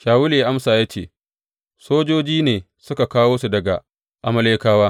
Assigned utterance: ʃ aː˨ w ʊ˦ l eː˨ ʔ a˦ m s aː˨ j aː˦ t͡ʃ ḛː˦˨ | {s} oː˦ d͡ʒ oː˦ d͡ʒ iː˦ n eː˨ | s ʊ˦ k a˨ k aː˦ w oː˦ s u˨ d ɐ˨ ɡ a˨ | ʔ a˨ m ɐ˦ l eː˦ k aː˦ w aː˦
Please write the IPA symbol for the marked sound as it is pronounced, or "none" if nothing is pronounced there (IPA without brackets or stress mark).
s